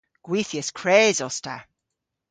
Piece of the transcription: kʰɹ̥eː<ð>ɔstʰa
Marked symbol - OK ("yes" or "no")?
no